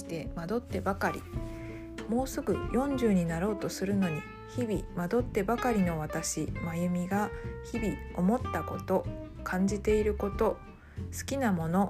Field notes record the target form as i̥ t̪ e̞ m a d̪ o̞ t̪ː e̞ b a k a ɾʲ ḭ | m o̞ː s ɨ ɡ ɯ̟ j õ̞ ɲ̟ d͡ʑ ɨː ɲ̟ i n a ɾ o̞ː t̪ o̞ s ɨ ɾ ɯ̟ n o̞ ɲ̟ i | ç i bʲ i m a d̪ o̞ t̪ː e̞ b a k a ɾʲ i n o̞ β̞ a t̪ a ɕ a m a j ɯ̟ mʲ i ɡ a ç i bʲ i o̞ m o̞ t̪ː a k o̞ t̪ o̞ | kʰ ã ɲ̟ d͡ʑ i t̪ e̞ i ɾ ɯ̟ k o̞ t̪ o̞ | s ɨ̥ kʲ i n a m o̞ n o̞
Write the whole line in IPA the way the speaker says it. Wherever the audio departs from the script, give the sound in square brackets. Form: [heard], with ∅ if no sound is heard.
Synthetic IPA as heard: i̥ t̪ e̞ m a d̪ o̞ t̪ː e̞ b a k a ɾʲ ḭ | m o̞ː s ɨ ɡ ɯ̟ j õ̞ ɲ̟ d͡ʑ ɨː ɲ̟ i n a ɾ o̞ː t̪ o̞ s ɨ ɾ ɯ̟ n o̞ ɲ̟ i | ç i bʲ i m a d̪ o̞ t̪ː e̞ b a k a ɾʲ i n o̞ β̞ a t̪ a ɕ [i] m a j ɯ̟ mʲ i ɡ a ç i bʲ i o̞ m o̞ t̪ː a k o̞ t̪ o̞ | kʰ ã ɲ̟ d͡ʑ i t̪ e̞ i ɾ ɯ̟ k o̞ t̪ o̞ | s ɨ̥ kʲ i n a m o̞ n o̞